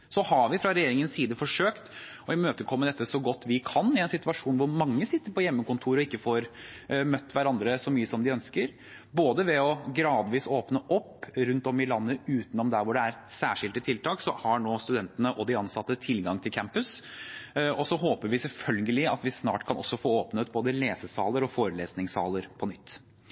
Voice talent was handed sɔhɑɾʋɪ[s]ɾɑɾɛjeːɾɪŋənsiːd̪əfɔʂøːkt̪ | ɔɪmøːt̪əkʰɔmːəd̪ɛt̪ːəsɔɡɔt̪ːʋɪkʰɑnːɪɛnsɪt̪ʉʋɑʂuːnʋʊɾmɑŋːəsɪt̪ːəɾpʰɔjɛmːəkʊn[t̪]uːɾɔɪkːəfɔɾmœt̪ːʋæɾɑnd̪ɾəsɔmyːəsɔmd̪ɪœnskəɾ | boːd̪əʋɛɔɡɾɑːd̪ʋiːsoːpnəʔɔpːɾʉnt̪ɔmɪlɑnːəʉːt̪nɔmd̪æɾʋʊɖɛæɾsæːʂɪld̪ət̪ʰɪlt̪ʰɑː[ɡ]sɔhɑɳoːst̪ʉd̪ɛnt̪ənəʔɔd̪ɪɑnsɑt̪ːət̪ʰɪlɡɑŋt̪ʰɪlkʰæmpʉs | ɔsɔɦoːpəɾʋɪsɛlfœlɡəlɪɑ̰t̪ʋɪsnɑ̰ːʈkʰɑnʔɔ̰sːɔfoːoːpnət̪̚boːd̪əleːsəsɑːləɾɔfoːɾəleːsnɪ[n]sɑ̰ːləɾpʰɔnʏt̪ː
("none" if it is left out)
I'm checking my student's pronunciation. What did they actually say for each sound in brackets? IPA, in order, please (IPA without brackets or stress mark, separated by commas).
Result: f, t̪ʰ, k, ŋ